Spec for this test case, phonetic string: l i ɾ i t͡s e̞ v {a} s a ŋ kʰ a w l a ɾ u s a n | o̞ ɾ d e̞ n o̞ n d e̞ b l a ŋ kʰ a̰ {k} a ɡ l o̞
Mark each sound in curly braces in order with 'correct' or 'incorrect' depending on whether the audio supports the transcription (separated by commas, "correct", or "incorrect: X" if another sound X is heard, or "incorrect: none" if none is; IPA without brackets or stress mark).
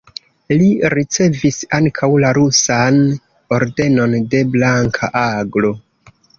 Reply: incorrect: i, incorrect: ʔ